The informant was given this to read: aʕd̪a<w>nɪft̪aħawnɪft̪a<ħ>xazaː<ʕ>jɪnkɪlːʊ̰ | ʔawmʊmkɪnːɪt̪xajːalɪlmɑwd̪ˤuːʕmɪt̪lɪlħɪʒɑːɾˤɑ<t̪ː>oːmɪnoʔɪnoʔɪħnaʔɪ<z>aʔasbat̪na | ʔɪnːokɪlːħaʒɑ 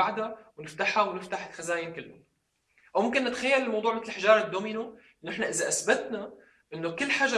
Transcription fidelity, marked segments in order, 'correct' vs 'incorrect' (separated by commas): correct, correct, incorrect, incorrect, correct